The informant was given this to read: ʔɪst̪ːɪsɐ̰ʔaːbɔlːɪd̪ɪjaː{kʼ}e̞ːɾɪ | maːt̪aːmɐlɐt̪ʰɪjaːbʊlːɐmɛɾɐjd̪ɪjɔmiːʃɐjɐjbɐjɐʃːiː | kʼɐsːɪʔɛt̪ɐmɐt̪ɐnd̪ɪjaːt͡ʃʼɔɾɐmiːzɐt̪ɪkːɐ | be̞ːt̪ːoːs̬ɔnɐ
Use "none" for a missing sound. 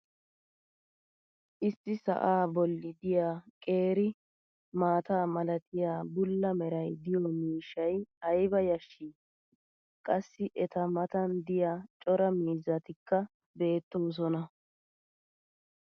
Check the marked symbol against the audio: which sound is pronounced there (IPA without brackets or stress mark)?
kʼ